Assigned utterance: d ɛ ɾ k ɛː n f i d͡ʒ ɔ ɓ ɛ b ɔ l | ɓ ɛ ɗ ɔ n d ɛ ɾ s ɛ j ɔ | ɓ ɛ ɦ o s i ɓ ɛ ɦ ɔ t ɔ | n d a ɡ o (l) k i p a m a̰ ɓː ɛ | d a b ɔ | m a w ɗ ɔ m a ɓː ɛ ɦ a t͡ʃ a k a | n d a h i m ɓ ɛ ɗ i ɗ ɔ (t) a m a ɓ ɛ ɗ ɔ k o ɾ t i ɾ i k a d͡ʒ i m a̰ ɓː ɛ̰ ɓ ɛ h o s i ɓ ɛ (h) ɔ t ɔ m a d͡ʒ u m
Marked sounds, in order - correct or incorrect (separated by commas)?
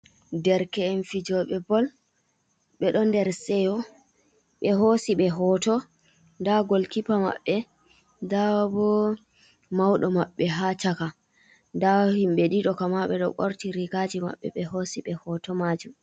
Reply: correct, incorrect, correct